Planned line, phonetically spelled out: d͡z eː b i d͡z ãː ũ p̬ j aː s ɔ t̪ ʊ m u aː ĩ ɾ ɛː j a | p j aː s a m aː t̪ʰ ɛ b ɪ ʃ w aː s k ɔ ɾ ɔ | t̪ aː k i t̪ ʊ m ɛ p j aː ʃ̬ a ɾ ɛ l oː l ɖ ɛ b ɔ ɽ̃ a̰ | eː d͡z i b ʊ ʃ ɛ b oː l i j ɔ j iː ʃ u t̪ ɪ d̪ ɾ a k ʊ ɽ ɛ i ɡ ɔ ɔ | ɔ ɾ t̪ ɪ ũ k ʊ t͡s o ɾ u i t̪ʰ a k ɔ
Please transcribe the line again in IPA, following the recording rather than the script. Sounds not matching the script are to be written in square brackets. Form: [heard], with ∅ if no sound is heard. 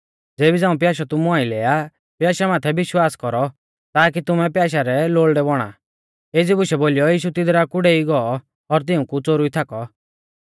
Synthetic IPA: d͡z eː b i d͡z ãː ũ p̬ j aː [ʃ] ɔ t̪ ʊ m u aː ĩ [l] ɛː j a | p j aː [ʃ] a m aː t̪ʰ ɛ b ɪ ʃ w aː s k ɔ ɾ ɔ | t̪ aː k i t̪ ʊ m ɛ p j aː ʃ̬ a ɾ ɛ l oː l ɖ ɛ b ɔ ɽ̃ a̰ | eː d͡z i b ʊ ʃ ɛ b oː l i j ɔ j iː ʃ u t̪ ɪ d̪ ɾ a k ʊ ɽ ɛ i ɡ ɔ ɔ | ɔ ɾ t̪ ɪ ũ k [u] t͡s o ɾ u i t̪ʰ a k ɔ

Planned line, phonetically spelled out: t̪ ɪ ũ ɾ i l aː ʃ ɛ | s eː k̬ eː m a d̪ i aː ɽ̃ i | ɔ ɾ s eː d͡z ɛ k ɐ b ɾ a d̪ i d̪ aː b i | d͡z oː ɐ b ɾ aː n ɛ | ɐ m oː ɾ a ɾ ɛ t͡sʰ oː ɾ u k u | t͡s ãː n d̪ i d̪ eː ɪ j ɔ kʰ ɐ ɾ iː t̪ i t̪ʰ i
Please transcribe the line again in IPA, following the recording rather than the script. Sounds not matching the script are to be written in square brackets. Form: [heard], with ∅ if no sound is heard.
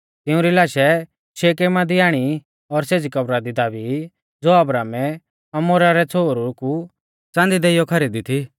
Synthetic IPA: t̪ ɪ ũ ɾ i l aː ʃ ɛ | [ʃ] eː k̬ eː m a d̪ i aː ɽ̃ i | ɔ ɾ s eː d͡z [i] k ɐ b ɾ a d̪ i d̪ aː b i | d͡z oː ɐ b ɾ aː [m] ɛ | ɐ m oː ɾ a ɾ ɛ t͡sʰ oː ɾ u k u | t͡s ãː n d̪ i d̪ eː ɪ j ɔ kʰ ɐ ɾ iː [d̪] i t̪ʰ i

